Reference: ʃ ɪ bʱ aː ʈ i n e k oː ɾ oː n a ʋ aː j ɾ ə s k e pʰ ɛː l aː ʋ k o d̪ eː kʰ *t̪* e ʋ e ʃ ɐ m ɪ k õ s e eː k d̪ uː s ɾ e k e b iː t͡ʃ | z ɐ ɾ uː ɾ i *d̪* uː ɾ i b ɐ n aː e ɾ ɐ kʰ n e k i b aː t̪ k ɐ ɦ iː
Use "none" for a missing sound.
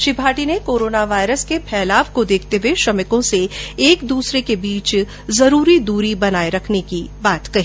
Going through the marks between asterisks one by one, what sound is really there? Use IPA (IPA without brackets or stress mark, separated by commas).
t̪, d̪